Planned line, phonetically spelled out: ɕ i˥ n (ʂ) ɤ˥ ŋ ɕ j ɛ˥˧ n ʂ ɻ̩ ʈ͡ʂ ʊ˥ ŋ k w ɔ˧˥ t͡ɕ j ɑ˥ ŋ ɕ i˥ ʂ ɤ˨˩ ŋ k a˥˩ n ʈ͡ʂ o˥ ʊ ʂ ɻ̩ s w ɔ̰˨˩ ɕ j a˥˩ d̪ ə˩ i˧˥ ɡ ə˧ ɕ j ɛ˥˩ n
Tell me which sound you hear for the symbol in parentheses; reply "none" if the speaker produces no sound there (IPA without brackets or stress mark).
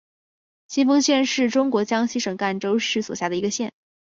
f